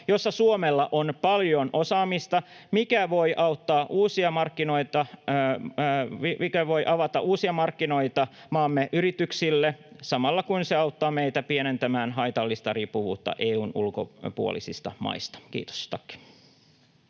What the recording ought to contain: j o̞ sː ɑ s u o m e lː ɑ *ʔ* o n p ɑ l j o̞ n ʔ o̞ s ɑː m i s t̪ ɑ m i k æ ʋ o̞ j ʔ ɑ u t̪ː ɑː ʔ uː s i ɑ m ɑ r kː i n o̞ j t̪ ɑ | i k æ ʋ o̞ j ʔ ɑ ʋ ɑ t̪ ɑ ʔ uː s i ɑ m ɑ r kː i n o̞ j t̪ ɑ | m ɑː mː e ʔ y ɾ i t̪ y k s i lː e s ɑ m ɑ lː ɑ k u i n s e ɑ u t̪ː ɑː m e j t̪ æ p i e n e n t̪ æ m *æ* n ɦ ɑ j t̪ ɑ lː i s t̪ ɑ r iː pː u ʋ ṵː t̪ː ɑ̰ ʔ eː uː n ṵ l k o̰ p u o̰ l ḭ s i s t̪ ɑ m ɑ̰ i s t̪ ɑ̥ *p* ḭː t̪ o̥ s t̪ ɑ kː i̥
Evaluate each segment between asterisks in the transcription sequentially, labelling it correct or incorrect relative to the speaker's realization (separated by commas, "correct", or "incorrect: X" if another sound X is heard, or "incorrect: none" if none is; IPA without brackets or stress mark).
correct, incorrect: æː, incorrect: k